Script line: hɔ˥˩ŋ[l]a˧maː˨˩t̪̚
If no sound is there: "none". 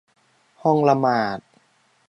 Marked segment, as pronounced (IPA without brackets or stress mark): l